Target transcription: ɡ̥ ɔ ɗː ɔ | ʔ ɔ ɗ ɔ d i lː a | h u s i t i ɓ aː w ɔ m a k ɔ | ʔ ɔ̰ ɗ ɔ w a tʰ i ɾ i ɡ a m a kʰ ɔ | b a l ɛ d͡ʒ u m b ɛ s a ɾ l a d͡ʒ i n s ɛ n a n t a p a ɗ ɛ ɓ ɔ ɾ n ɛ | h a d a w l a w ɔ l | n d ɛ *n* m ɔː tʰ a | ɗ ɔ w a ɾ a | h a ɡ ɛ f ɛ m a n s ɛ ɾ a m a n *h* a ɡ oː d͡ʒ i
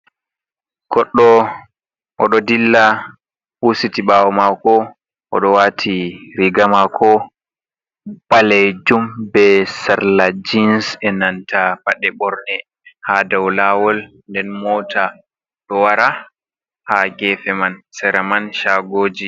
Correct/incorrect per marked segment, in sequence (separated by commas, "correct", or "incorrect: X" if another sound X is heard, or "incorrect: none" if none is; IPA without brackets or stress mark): correct, incorrect: ʃ